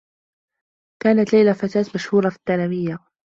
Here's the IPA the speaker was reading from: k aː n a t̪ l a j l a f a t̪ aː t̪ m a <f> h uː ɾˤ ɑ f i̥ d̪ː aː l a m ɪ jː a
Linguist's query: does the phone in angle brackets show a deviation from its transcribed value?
yes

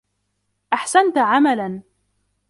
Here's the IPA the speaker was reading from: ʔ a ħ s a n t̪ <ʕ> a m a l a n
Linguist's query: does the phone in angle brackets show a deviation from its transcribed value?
no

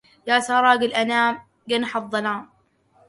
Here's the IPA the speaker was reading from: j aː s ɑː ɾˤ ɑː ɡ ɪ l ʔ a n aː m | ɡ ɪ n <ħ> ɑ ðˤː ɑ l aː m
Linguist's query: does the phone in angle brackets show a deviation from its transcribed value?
no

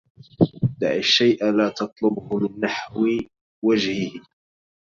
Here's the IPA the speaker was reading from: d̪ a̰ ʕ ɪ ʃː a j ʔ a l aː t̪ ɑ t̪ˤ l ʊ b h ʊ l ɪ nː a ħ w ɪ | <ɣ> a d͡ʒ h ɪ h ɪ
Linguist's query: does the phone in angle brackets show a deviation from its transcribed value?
yes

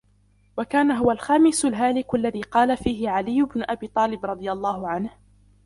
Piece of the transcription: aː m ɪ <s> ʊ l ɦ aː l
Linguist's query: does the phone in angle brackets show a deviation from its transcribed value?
no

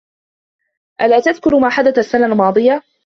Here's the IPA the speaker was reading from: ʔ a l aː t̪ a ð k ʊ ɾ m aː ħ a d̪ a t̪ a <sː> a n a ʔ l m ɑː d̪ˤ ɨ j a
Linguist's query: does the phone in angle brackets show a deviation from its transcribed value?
no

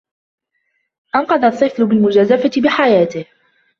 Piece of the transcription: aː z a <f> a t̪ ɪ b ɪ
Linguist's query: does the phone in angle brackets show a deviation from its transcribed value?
no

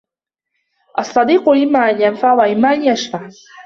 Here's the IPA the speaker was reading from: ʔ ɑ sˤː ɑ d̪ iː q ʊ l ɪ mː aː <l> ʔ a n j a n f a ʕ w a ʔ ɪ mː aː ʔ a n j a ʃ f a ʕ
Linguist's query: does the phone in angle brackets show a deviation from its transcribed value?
yes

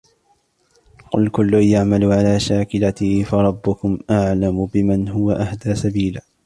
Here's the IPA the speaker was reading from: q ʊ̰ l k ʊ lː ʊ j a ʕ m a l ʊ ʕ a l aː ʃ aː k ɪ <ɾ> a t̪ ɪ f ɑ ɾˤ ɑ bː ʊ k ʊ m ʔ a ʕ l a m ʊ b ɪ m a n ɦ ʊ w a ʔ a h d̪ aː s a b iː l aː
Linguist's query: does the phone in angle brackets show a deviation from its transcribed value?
yes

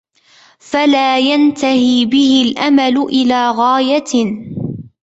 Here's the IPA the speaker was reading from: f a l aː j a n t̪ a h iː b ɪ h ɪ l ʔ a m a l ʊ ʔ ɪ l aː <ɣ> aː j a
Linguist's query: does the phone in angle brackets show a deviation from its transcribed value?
no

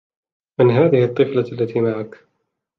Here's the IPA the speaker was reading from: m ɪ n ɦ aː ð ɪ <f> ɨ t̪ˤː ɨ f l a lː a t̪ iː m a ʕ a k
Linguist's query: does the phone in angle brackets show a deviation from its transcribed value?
yes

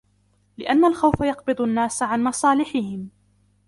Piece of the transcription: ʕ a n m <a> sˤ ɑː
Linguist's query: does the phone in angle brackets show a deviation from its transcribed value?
yes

